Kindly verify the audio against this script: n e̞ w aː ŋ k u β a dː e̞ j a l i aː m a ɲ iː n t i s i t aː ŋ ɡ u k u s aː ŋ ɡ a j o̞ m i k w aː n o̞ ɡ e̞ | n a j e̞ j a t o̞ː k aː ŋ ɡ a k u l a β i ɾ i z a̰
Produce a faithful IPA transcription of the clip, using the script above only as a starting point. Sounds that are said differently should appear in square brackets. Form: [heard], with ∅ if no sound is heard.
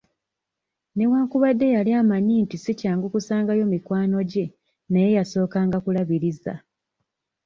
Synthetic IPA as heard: n e̞ w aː ŋ k u β a dː e̞ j a l i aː m a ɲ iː n t i s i [c] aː ŋ ɡ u k u s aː ŋ ɡ a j o̞ m i k w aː n o̞ [ɟ] e̞ | n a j e̞ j a [s] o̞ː k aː ŋ ɡ a k u l a β i ɾ i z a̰